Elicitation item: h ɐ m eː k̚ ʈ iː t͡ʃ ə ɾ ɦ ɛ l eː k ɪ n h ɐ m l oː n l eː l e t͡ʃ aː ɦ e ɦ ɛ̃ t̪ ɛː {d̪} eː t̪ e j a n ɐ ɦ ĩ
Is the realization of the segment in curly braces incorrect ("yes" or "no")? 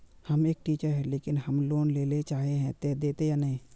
no